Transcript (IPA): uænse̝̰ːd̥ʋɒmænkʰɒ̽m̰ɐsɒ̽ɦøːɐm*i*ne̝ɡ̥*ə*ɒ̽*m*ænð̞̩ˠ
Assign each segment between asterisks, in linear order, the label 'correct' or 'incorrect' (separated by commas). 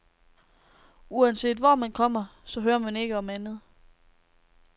incorrect, correct, correct